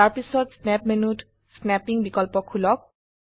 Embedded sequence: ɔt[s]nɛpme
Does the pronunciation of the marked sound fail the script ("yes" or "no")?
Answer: no